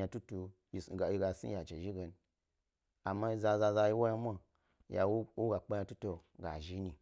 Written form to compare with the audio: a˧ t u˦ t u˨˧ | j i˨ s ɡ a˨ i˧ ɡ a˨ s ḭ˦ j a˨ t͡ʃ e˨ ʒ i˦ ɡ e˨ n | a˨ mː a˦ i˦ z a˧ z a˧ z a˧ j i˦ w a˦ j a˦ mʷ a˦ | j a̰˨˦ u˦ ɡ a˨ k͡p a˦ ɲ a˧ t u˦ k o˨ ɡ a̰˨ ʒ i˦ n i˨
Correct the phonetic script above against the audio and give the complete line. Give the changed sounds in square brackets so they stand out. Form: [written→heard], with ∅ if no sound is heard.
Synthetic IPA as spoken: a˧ t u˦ t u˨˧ | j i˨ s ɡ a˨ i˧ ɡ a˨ s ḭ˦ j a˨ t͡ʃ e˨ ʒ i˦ ɡ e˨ n | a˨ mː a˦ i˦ z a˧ z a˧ z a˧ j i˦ w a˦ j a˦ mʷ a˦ | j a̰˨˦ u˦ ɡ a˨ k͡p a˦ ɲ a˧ t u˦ [k→t] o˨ ɡ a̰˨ ʒ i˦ n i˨

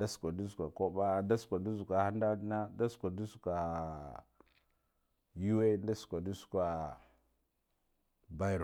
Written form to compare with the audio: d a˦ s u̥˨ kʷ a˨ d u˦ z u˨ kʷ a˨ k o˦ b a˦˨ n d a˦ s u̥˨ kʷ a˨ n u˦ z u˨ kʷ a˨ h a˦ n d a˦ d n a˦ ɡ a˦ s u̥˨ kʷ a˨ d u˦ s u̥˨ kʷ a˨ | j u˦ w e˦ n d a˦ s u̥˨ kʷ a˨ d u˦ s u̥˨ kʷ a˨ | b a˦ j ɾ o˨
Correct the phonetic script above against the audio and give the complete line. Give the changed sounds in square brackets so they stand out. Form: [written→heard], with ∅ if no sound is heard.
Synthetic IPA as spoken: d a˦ s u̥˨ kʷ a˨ d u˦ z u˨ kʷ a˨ k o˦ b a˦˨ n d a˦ s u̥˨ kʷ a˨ [n→d] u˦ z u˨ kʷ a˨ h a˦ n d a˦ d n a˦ [ɡ→d] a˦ s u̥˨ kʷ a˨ d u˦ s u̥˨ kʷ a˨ | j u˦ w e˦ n d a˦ s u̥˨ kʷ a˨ d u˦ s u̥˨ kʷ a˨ | b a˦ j ɾ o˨

